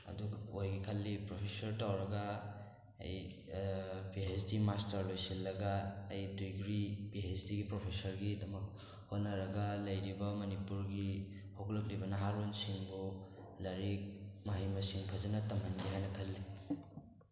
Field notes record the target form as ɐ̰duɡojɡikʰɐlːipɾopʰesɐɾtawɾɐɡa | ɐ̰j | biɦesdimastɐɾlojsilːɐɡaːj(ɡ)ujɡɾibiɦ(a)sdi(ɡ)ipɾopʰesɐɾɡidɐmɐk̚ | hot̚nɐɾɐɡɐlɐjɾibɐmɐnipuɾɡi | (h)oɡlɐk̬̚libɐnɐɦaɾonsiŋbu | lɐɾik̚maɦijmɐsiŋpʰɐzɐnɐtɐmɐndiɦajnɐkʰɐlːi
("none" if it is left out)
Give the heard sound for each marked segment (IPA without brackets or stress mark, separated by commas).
d, e, ɡ, h